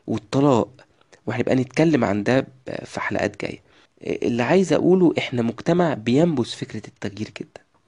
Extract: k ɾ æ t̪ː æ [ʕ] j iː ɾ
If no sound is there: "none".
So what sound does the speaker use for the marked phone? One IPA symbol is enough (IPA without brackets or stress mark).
ɣ